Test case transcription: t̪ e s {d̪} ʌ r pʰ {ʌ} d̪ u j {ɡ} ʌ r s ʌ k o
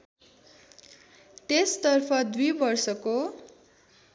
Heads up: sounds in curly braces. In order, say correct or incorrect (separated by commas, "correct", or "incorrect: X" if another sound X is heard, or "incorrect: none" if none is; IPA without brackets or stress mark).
incorrect: t̪, correct, incorrect: b